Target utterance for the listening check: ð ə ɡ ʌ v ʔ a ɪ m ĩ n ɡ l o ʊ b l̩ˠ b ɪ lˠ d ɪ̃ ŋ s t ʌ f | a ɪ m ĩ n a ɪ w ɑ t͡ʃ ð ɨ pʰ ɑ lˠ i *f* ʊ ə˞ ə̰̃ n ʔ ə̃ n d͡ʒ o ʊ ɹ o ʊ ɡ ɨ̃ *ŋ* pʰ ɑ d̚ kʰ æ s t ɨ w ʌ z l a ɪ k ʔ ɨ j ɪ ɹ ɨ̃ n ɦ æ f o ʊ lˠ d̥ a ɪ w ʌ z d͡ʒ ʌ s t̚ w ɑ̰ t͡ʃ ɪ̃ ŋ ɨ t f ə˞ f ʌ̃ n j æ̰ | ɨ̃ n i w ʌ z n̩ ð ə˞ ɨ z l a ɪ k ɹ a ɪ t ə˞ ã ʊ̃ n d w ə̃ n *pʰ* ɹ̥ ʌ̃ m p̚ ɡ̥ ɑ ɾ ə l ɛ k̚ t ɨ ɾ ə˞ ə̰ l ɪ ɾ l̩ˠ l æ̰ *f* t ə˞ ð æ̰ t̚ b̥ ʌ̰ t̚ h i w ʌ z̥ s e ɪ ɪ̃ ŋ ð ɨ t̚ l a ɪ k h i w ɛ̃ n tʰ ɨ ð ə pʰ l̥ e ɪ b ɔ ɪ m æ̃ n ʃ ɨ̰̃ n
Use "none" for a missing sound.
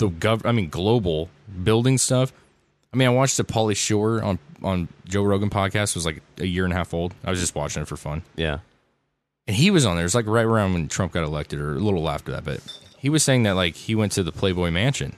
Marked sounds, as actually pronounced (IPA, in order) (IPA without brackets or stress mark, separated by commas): ʃ, n, tʰ, f